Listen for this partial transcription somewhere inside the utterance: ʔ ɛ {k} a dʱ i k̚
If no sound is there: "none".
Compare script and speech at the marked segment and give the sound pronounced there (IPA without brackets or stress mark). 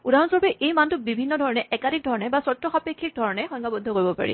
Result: k